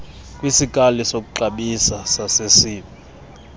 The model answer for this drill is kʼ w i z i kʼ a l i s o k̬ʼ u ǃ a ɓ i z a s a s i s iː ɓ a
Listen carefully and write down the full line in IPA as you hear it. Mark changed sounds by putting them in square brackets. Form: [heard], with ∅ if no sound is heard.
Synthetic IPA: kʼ w i [s] i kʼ a l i s o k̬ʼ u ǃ a ɓ i [s] a s a s [e] s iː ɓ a